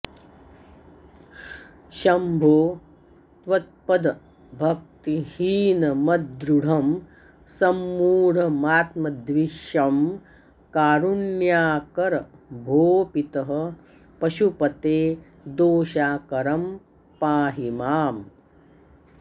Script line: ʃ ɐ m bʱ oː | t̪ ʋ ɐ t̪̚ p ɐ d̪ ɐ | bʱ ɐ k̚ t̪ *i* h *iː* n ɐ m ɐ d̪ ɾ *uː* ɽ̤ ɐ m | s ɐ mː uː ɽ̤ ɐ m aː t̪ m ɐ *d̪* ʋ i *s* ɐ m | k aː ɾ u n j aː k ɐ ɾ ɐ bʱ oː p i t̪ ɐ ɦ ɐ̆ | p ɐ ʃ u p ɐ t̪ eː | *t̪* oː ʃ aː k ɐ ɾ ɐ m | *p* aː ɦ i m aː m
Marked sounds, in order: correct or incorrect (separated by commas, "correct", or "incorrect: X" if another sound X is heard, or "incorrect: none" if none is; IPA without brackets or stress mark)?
correct, correct, incorrect: u, correct, incorrect: ʃ, incorrect: d̪, correct